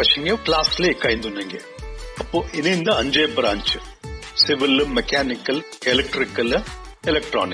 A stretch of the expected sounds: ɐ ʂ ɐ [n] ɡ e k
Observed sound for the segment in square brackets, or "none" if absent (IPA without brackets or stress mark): ŋ